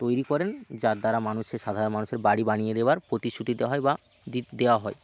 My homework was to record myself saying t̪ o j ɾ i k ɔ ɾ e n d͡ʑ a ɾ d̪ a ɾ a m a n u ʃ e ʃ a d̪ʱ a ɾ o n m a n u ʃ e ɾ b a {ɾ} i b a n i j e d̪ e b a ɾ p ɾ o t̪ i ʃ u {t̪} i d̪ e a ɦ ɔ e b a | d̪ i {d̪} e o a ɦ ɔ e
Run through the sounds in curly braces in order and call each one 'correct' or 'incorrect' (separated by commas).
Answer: incorrect, correct, correct